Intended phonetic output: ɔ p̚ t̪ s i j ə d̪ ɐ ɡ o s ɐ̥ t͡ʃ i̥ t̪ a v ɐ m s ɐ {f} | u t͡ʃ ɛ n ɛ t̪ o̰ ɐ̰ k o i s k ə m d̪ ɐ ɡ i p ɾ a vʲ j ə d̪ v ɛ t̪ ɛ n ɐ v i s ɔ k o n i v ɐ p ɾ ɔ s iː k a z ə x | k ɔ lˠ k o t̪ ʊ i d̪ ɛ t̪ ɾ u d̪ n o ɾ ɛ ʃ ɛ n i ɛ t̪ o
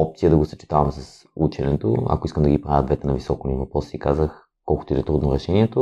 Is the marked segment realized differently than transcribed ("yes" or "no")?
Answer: yes